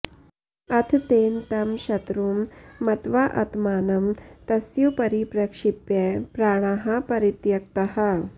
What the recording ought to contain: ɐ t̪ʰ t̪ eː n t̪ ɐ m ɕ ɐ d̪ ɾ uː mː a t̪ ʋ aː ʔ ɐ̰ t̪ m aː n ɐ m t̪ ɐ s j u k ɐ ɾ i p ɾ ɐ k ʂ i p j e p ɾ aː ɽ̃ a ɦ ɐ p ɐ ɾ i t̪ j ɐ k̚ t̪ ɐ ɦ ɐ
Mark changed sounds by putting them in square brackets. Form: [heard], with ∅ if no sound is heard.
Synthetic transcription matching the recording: ɐ t̪ʰ t̪ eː n t̪ ɐ m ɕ ɐ [t̪] ɾ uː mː [ɐ] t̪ ʋ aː ʔ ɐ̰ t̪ m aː n ɐ m t̪ ɐ s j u [p] ɐ ɾ i p ɾ ɐ k ʂ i p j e p ɾ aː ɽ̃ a ɦ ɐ p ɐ ɾ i t̪ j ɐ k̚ t̪ ɐ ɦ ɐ